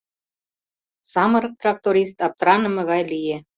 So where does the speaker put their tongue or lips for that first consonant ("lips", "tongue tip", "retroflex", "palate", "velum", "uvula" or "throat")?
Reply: tongue tip